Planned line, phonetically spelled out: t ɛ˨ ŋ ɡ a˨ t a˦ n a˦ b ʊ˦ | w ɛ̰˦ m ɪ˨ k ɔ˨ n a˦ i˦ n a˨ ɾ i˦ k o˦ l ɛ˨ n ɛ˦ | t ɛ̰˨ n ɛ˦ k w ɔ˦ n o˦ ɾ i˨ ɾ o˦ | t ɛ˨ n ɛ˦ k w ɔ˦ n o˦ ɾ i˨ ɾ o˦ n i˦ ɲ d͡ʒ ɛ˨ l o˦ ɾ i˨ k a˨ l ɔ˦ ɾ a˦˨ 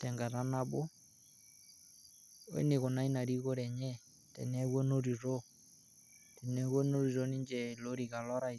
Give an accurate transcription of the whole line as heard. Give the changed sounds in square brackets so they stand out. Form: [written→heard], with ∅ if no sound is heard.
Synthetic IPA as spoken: t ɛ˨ ŋ ɡ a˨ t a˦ n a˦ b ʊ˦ | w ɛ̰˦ [m→n] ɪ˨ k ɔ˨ n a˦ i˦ n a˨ ɾ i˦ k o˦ [l→ɾ] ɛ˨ [n→ɲ] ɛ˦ | t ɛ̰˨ n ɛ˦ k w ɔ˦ n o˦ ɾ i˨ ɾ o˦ | t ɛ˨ n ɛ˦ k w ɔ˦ n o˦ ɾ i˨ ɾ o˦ n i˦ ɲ d͡ʒ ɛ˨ l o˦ ɾ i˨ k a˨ l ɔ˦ ɾ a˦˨